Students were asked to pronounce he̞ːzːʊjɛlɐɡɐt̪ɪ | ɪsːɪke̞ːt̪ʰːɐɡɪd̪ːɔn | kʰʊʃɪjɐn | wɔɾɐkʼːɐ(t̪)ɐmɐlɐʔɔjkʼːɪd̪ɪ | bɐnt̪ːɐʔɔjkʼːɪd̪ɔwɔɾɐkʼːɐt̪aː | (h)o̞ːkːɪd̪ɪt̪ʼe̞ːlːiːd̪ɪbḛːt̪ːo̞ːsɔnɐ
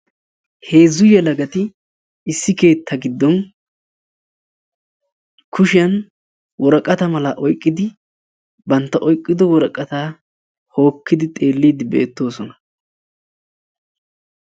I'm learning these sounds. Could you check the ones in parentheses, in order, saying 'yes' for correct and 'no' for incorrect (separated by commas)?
yes, yes